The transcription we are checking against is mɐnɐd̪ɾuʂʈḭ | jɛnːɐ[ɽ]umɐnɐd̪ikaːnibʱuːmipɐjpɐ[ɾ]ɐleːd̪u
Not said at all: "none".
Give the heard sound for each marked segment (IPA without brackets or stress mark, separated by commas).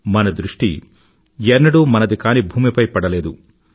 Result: ɽ, ɽ